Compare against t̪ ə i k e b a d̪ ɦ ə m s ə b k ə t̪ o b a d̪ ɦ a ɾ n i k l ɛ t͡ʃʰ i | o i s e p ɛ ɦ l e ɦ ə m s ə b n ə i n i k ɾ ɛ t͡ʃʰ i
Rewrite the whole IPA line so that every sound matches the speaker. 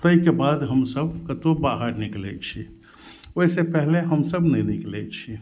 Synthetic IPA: t̪ ə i k e b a d̪ ɦ ə m s ə b k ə t̪ o b a ɦ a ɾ n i k l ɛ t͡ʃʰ i | o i s e p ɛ ɦ l e ɦ ə m s ə b n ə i n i k l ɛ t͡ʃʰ i